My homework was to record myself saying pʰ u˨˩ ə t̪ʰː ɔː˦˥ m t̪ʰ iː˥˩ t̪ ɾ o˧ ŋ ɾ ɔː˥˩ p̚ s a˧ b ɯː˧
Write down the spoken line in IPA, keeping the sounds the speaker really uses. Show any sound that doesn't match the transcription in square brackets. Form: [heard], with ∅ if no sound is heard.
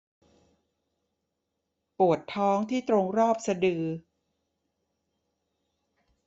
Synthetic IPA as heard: [p] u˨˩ ə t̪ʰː ɔː˦˥ [ŋ] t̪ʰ iː˥˩ t̪ ɾ o˧ ŋ ɾ ɔː˥˩ p̚ s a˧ [d] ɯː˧